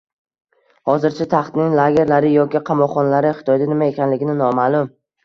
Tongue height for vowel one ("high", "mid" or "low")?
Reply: low